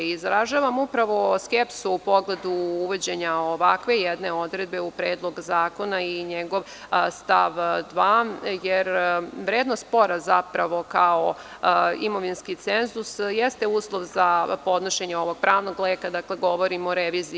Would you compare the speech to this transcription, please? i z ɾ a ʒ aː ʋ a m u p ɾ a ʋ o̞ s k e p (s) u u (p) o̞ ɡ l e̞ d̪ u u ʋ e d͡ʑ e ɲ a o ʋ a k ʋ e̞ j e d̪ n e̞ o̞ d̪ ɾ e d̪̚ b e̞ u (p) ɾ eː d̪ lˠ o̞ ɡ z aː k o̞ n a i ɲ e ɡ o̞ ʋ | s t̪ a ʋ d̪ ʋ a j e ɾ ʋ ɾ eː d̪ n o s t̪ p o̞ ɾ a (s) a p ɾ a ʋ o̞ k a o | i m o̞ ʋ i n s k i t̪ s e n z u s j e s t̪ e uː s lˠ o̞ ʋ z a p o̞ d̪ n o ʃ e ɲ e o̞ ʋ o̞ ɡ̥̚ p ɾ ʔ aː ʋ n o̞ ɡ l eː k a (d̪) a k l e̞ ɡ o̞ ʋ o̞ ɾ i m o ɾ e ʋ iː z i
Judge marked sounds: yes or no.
yes, yes, yes, no, yes

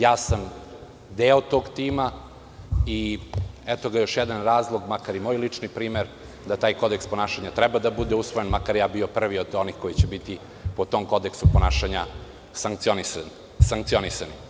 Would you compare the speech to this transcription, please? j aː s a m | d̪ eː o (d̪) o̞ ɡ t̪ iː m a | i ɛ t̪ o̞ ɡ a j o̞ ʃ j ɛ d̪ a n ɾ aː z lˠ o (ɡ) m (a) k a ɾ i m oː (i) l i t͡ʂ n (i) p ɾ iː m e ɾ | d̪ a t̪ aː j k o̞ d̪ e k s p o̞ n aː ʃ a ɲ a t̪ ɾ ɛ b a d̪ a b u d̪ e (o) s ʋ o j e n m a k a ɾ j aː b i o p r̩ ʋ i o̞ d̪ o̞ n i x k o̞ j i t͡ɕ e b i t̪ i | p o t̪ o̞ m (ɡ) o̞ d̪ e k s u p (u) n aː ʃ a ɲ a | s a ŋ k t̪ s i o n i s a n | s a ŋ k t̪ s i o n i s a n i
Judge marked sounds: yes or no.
no, yes, yes, no, yes, no, no, no

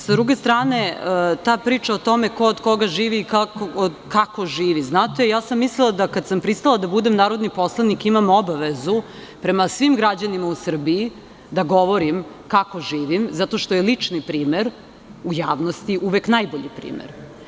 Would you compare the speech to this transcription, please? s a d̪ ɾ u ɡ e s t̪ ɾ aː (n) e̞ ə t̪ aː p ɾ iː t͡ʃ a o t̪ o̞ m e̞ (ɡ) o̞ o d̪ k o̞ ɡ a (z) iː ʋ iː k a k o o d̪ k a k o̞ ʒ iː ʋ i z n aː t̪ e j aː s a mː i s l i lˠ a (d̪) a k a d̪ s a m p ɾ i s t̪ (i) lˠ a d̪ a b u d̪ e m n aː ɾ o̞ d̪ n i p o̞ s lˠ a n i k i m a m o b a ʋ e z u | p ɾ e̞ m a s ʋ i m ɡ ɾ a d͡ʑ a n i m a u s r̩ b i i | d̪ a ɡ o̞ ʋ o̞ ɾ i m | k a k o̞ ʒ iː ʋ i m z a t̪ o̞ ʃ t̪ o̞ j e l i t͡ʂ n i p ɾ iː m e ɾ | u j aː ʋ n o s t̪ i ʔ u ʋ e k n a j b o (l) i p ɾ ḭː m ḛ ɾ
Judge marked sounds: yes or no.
yes, no, no, yes, no, no

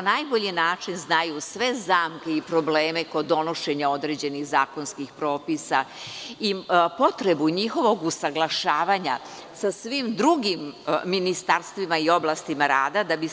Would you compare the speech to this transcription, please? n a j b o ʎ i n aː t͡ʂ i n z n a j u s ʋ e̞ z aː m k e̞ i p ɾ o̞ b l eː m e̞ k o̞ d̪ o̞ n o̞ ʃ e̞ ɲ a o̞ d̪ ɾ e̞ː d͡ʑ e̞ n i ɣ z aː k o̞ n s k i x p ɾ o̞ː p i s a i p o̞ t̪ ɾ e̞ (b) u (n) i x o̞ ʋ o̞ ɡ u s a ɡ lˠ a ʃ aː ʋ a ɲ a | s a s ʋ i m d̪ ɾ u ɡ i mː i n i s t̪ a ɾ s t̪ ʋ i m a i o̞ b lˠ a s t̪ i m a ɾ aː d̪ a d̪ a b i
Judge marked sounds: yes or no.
yes, no

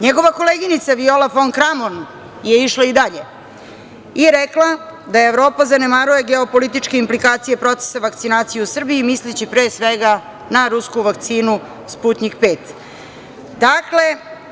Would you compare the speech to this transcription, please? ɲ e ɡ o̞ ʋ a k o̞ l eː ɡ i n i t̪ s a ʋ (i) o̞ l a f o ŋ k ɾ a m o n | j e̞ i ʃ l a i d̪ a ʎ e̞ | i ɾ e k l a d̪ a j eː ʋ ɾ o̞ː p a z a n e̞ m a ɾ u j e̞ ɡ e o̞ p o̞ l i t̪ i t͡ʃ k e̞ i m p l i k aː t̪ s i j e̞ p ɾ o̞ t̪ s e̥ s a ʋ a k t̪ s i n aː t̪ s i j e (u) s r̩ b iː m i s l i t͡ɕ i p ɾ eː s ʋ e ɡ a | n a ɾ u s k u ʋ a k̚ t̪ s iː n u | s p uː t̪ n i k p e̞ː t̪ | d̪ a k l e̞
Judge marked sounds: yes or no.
yes, yes

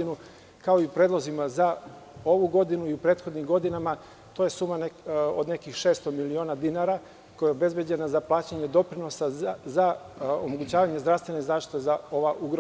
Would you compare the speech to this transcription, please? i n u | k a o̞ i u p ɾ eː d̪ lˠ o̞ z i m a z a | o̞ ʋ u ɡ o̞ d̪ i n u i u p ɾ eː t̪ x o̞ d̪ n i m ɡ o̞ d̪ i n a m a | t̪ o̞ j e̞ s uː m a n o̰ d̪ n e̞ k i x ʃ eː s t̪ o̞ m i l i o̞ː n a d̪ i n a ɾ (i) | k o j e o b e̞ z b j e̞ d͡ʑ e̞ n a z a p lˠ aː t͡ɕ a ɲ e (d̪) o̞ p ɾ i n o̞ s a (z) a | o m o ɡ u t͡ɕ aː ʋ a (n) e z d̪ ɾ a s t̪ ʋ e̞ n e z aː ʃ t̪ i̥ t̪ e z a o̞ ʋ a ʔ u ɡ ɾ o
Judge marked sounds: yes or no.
no, yes, yes, no

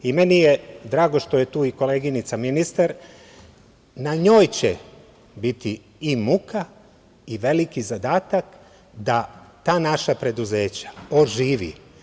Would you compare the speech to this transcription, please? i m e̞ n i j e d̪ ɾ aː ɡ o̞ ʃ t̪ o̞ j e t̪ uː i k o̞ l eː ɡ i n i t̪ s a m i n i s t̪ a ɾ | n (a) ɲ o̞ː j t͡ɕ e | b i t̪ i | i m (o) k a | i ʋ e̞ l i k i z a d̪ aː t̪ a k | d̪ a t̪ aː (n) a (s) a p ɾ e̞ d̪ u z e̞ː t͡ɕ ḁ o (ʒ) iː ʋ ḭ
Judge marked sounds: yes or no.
yes, no, yes, no, yes

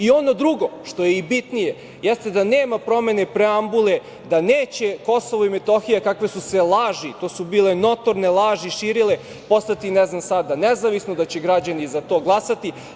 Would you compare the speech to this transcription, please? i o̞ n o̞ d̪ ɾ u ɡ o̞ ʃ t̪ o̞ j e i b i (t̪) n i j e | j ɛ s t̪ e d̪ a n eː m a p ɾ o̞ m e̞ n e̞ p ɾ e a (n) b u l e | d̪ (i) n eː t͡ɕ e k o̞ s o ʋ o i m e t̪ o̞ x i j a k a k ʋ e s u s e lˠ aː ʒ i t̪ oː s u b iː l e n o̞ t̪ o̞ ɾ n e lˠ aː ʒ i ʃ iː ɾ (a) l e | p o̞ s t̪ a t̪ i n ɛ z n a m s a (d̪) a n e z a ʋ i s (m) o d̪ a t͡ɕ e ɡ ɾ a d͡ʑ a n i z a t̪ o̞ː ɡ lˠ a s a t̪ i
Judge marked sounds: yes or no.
yes, no, no, no, yes, no

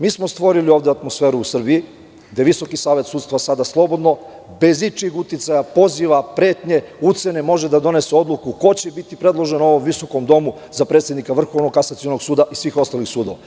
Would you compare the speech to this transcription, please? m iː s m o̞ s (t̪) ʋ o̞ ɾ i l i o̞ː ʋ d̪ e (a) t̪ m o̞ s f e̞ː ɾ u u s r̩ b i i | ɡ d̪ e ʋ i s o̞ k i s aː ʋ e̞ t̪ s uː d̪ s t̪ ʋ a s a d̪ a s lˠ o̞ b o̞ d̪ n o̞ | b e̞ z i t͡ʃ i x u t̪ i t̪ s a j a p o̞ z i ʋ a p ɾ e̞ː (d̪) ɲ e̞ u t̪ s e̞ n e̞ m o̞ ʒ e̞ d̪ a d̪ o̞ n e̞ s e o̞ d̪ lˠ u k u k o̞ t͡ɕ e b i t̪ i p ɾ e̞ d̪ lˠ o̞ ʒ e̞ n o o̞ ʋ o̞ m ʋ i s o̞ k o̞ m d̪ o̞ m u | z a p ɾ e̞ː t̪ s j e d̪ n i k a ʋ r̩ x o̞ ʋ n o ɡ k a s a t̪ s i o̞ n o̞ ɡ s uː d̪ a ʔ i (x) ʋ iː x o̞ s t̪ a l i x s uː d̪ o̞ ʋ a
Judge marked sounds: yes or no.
yes, yes, no, no

